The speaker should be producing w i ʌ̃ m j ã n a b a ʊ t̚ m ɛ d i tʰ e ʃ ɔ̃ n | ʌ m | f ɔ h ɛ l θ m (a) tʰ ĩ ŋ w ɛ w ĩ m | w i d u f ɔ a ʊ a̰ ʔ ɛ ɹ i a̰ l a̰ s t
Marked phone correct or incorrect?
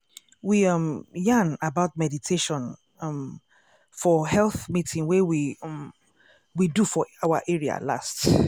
incorrect